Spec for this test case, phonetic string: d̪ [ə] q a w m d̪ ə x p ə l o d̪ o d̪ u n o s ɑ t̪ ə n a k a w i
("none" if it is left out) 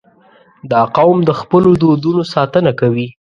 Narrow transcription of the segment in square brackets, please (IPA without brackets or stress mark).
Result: ɑ